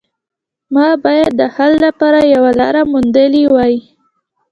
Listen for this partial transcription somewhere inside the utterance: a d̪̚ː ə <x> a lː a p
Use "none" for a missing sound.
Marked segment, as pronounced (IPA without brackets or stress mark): h